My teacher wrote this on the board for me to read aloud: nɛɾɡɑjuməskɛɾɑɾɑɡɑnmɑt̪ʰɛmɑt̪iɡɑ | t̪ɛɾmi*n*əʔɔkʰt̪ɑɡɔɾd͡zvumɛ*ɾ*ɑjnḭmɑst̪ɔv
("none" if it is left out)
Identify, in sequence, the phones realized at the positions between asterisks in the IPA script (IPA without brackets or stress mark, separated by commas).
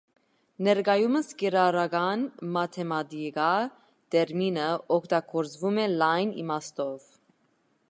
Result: n, l